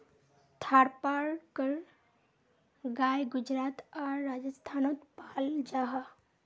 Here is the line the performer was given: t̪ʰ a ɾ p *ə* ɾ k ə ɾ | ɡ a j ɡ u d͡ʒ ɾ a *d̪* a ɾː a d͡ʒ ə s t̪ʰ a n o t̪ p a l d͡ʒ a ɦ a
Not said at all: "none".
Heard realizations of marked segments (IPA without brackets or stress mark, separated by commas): a, t̪